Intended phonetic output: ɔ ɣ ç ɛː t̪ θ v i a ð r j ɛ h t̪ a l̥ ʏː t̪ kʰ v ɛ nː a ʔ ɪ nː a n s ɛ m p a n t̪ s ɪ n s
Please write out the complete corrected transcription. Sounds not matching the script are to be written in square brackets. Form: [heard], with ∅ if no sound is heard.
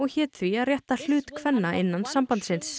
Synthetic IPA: ɔ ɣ ç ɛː t̪ θ v i a ð r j ɛ h t̪ a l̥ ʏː t̪ kʰ v ɛ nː a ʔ ɪ nː a n s [a] m p a n t̪ s ɪ n s